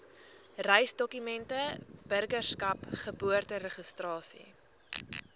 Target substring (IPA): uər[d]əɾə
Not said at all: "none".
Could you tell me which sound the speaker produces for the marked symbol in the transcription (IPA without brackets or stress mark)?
t